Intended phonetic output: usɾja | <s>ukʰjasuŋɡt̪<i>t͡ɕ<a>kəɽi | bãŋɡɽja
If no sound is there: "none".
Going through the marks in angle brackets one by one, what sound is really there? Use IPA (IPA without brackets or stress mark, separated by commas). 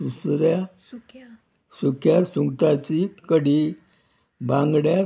s, a, i